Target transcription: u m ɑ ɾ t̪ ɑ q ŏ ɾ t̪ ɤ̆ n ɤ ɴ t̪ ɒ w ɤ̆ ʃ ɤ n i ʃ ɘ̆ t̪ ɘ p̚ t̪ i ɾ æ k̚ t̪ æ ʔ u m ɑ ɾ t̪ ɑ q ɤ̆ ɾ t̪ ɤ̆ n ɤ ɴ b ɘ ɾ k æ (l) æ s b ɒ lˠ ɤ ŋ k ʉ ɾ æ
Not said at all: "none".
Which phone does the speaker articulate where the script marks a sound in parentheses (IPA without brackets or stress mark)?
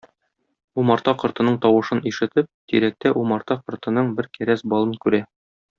ɾ